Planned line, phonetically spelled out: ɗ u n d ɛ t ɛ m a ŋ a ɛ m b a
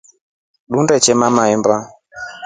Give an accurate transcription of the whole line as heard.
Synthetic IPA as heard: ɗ u n d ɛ t͡ʃ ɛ m a m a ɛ m b a